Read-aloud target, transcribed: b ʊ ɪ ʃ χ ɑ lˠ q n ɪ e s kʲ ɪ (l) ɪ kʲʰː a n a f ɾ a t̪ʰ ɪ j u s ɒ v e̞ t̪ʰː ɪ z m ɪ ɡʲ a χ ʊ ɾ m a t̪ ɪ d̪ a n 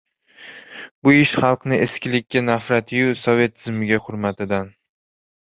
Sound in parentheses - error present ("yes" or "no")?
no